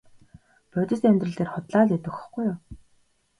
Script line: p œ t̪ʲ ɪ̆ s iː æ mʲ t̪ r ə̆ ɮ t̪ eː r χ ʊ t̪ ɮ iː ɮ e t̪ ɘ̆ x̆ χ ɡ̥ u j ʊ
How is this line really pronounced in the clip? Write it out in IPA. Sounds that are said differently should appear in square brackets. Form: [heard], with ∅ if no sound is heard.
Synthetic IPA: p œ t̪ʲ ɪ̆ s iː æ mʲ t̪ r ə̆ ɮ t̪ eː r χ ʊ t̪ ɮ [aː] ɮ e t̪ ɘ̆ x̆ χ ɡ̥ u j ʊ